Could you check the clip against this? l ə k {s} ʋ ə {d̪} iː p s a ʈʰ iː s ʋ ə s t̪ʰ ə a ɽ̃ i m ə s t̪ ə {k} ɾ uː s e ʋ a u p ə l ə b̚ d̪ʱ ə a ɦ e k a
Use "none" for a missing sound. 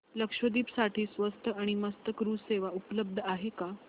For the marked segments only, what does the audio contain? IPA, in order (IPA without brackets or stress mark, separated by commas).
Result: ʂ, d̪, k